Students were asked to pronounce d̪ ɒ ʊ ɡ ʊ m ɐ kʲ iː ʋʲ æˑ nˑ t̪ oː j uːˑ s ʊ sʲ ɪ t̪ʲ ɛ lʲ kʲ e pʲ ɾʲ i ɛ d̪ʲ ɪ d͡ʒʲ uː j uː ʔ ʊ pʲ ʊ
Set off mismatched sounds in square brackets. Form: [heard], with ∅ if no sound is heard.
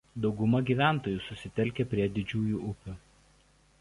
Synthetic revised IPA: d̪ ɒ ʊ ɡ ʊ m ɐ [ɡʲ] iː ʋʲ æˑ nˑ t̪ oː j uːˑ s ʊ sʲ ɪ t̪ʲ ɛ lʲ kʲ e pʲ ɾʲ i ɛ d̪ʲ ɪ d͡ʒʲ uː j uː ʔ ʊ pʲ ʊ